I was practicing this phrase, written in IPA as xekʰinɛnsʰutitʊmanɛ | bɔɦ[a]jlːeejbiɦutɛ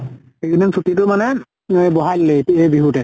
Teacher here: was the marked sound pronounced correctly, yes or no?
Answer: yes